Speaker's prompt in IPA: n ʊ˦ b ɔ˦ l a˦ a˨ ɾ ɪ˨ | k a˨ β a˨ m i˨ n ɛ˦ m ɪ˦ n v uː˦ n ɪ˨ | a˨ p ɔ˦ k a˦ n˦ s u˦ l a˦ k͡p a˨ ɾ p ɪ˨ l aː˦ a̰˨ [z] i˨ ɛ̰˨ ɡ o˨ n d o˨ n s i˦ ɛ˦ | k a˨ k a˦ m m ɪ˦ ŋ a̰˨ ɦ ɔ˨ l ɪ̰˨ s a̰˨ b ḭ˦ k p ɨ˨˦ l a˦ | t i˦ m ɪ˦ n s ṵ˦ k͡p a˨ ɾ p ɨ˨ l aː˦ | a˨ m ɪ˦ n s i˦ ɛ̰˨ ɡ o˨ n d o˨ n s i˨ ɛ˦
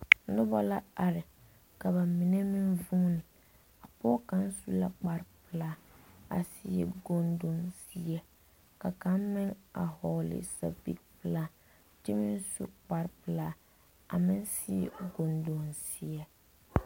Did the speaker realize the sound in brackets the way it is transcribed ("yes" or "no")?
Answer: no